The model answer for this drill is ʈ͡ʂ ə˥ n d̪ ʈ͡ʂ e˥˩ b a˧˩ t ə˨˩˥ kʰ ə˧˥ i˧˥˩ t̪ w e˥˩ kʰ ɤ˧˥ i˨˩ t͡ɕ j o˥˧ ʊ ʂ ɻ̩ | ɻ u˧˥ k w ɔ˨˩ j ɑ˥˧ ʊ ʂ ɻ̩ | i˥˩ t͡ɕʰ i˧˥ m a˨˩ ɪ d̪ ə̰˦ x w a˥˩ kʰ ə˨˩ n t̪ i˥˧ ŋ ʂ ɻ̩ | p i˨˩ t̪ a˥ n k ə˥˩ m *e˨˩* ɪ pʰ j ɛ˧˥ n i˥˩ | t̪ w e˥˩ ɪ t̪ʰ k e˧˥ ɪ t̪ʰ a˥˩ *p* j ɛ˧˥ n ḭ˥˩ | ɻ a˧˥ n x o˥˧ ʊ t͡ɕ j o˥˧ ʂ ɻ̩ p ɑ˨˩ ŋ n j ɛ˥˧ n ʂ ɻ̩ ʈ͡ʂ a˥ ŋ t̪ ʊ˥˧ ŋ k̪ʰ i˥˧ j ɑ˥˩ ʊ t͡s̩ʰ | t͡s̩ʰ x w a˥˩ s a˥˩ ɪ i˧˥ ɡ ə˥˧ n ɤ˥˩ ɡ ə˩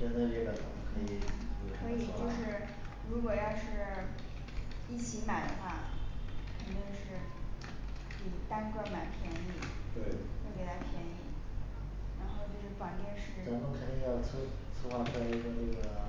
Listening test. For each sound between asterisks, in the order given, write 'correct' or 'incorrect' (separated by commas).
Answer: incorrect, incorrect